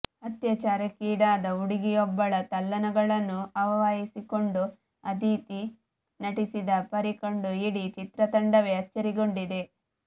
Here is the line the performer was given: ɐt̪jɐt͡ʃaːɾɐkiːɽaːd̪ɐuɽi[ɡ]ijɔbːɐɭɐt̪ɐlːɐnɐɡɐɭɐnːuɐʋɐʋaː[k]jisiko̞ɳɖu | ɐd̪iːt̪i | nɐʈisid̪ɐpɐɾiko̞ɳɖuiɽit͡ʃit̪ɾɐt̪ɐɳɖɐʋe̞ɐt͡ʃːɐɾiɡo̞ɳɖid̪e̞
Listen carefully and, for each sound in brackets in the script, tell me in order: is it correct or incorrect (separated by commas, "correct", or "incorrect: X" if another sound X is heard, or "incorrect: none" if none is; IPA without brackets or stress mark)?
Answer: correct, incorrect: none